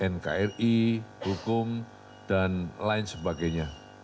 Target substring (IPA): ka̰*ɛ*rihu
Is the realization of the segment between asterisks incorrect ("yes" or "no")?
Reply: no